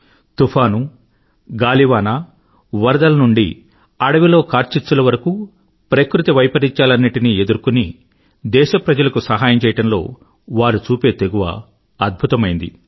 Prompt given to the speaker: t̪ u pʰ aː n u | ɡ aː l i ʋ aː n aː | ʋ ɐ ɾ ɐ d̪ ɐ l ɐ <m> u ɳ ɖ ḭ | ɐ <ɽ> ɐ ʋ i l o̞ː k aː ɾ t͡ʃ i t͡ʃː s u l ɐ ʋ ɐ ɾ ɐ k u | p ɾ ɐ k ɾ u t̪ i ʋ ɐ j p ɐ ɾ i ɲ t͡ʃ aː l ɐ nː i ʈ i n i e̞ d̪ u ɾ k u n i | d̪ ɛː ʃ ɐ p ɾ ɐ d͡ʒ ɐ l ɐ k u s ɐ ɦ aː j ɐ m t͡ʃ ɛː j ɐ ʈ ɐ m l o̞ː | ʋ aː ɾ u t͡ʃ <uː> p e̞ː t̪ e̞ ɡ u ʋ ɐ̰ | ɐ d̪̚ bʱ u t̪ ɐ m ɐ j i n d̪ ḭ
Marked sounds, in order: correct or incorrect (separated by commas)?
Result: incorrect, correct, correct